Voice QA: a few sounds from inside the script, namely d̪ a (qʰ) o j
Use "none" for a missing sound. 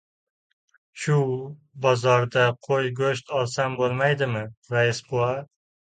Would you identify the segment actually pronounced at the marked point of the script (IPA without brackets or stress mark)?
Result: qʰ